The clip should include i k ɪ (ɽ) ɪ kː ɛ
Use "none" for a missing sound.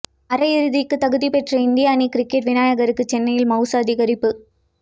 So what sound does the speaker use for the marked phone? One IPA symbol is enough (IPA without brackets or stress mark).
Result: ɾ